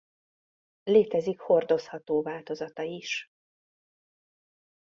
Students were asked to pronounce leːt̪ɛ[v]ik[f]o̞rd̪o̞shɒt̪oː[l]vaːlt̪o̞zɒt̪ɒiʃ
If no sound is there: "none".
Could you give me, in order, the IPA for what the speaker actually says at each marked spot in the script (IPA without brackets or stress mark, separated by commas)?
z, h, none